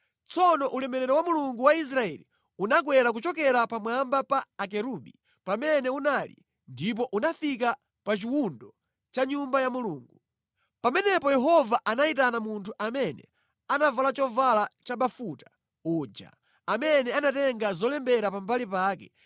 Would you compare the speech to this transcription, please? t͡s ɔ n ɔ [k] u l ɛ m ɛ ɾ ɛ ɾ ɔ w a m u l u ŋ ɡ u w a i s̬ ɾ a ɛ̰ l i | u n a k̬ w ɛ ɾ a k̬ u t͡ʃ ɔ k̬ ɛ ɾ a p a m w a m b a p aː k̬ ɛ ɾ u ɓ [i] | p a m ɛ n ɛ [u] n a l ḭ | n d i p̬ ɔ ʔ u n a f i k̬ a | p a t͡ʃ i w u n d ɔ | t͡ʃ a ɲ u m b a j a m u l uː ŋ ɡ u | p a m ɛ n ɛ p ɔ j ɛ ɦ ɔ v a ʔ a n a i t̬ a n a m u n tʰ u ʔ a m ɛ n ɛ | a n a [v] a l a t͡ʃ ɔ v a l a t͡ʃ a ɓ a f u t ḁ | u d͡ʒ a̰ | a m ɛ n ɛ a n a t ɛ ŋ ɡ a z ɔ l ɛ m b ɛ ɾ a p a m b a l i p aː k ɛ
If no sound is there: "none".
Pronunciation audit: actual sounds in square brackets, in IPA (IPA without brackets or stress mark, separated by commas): ʔ, i, u, v